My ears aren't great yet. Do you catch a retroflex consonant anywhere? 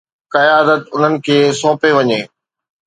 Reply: no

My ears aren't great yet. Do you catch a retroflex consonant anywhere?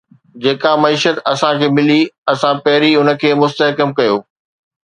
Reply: no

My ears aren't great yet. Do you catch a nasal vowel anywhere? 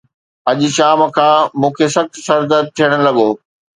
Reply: yes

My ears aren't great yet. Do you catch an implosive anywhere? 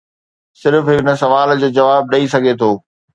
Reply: yes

